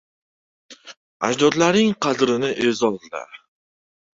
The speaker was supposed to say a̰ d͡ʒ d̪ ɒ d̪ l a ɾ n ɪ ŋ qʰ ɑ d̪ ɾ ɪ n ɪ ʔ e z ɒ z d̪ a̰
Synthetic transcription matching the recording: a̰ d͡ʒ d̪ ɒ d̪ l a ɾ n ɪ ŋ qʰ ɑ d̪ ɾ ɪ n ɪ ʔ e z ɒ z d̪ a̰